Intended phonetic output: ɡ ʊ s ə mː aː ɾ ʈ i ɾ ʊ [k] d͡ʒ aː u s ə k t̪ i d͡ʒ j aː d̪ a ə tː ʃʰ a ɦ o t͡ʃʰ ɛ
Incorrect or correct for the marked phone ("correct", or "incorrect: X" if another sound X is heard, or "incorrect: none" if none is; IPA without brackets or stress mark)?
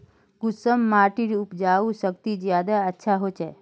incorrect: p